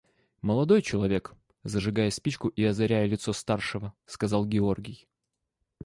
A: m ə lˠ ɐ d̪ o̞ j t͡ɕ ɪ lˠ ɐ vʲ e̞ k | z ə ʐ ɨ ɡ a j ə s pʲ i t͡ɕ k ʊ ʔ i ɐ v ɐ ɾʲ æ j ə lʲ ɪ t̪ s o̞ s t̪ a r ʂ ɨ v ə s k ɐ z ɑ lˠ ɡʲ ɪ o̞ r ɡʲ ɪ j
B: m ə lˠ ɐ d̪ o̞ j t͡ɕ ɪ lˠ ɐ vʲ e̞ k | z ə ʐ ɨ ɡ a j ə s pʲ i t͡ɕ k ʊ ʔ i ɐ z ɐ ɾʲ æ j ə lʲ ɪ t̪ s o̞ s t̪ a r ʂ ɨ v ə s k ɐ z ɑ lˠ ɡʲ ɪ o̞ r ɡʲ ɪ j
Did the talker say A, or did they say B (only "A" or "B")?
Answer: B